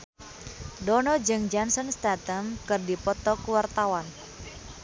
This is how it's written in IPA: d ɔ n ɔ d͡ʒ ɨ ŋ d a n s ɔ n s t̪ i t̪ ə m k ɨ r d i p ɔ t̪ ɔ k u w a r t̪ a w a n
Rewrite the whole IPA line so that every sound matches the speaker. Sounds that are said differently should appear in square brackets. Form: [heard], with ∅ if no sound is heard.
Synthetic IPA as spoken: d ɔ n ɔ d͡ʒ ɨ ŋ [d͡ʒ] a n s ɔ n s t̪ [a] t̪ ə m k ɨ r d i p ɔ t̪ ɔ k u w a r t̪ a w a n